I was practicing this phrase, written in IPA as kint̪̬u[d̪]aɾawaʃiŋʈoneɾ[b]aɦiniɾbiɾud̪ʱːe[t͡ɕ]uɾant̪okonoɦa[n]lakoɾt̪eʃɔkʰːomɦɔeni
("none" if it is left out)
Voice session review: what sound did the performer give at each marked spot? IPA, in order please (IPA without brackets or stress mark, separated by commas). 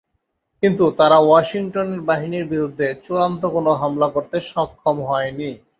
t̪, b, t͡ɕ, m